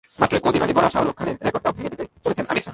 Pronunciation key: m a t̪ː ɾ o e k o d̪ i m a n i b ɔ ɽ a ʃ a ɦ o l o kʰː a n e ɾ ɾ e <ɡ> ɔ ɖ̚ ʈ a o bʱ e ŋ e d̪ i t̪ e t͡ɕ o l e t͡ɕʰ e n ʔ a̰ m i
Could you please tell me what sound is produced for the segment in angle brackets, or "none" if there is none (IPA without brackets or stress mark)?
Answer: k